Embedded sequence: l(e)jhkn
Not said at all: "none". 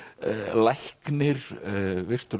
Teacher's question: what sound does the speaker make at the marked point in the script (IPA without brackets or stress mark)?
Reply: a